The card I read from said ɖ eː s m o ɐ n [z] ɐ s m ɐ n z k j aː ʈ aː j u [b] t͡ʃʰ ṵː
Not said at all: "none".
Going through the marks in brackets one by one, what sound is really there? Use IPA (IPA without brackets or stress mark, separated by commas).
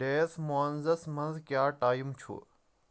z, m